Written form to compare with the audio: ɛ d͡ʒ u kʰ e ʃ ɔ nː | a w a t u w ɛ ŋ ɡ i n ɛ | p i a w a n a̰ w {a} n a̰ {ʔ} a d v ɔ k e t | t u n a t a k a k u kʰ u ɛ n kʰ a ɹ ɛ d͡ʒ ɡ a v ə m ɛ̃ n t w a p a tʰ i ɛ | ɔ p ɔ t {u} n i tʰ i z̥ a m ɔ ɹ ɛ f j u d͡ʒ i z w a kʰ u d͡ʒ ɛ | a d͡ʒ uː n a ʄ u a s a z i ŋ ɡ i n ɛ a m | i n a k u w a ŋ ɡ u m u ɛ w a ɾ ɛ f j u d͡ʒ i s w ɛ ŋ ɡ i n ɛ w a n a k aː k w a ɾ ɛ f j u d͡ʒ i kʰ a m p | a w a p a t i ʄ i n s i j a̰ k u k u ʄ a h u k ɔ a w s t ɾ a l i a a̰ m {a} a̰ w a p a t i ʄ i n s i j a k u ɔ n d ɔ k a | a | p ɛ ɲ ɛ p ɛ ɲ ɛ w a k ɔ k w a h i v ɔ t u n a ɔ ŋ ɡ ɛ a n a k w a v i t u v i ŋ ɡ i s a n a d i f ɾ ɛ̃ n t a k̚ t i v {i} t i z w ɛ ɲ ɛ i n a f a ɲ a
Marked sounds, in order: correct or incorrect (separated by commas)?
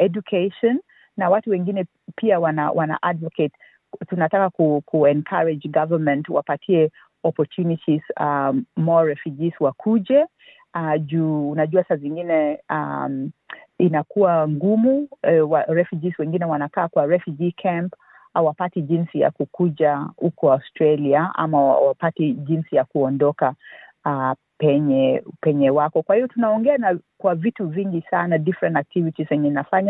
correct, correct, correct, correct, correct